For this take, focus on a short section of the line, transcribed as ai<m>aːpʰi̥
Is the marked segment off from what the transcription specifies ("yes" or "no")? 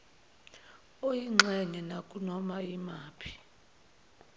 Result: no